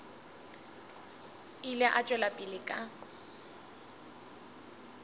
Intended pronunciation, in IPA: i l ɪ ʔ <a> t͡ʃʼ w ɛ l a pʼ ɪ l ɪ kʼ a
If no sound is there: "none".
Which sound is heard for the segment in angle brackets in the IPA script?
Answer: a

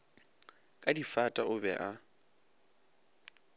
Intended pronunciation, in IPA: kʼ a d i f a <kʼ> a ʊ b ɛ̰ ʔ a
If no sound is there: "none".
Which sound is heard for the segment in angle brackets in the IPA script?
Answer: tʼ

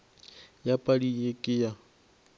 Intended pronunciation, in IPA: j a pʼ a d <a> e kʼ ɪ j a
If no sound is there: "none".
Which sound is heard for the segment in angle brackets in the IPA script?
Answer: i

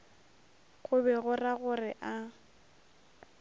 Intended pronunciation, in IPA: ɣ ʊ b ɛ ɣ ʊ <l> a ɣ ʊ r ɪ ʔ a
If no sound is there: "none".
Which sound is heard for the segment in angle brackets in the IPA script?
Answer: r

